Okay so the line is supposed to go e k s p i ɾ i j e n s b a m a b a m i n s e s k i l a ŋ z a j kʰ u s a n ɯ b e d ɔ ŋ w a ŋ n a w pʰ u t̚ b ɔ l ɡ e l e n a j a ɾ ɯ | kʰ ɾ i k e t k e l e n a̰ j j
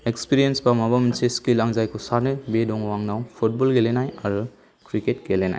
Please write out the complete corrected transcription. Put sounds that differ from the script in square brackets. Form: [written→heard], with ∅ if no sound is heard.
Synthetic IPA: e k s p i ɾ i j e n s b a m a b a m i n s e s k i l a ŋ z a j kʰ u s a n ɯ b e d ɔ ŋ w a ŋ n a w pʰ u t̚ b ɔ l ɡ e l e n a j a ɾ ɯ | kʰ ɾ i k e t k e l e n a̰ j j